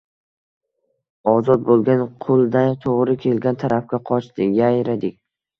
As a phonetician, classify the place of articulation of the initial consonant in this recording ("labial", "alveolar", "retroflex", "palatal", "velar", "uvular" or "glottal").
alveolar